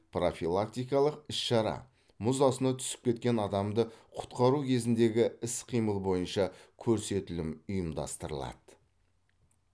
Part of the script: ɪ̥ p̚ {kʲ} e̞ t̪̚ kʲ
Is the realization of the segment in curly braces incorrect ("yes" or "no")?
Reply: no